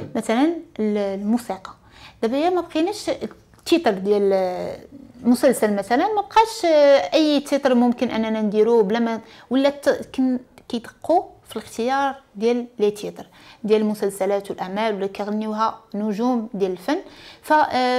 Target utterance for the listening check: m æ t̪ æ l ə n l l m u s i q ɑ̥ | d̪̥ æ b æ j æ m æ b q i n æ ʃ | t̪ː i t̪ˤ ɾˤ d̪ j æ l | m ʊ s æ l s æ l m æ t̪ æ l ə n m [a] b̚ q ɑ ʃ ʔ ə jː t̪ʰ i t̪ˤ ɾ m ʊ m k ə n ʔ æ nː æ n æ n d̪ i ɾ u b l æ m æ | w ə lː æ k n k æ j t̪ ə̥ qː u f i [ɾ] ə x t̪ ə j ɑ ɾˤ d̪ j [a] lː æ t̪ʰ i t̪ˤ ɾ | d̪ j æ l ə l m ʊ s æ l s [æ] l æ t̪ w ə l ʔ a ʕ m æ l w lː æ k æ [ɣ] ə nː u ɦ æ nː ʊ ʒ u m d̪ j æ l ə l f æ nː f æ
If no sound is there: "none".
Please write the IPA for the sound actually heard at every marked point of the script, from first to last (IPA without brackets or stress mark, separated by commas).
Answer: æ, l, æ, æ, ɣ